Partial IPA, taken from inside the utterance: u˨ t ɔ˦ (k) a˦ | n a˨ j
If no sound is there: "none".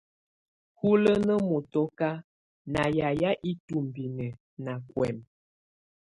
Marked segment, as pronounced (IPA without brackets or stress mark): k